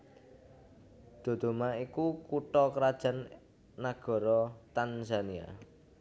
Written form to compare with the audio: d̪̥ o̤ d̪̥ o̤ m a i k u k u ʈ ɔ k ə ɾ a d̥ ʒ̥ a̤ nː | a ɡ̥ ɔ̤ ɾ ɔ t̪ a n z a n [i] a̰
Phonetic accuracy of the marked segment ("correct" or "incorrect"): correct